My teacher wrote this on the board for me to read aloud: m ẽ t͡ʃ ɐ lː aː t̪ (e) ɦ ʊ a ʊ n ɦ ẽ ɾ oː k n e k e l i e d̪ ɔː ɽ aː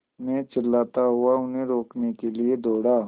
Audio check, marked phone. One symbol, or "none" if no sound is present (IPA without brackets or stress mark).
a